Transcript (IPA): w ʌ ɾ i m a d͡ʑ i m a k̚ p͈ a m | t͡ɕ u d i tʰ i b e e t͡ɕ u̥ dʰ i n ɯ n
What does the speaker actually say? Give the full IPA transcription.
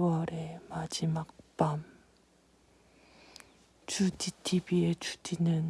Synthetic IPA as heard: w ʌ ɾ e m a d͡ʑ i m a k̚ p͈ a m | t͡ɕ u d i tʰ i b i e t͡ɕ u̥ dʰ i n ɯ n